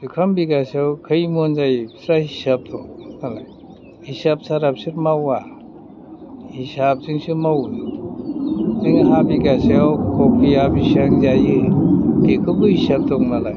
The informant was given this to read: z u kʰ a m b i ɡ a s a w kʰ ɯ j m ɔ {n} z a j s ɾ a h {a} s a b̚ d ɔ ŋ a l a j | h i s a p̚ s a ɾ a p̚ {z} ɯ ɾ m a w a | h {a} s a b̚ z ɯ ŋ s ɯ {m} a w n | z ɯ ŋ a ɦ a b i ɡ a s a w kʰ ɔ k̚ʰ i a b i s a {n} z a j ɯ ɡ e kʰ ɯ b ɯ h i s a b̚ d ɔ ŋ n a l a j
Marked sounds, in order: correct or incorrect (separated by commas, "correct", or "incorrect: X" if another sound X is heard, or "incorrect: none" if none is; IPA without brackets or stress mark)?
correct, incorrect: i, incorrect: s, incorrect: i, correct, incorrect: ŋ